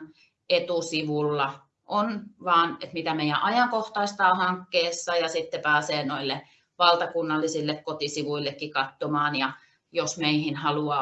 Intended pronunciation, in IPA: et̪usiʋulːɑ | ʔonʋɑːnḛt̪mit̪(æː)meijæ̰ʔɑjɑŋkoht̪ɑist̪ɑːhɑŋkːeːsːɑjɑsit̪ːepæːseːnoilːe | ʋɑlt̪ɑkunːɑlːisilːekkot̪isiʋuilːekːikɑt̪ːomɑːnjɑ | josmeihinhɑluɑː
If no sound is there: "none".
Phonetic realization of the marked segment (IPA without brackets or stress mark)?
æ